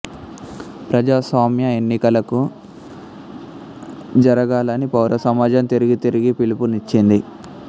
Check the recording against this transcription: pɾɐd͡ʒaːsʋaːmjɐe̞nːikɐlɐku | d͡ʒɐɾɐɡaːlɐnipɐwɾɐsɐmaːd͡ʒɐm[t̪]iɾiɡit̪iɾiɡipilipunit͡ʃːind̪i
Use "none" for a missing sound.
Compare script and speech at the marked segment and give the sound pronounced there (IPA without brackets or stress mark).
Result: t̪